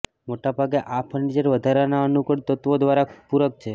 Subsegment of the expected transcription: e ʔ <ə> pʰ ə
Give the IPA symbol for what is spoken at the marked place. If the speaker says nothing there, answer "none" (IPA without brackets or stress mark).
a